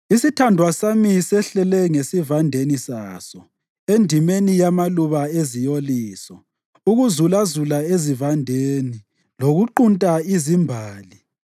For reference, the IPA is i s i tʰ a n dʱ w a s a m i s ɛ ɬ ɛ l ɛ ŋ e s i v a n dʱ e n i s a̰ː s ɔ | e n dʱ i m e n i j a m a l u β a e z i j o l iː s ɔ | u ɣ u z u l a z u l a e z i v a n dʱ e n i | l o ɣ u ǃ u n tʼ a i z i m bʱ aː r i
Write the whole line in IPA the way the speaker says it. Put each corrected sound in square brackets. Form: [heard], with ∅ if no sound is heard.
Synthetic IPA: i s i tʰ a n dʱ w a s a m i s ɛ ɬ ɛ l ɛ ŋ e s i v a n dʱ e n i s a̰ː s ɔ | e n dʱ i m e n i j a m a l u β a e z i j o l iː s ɔ | u ɣ u z u l a z u l a e z i v a n dʱ e n i | l o ɣ u ǃ u n tʼ a i z i m bʱ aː [l] i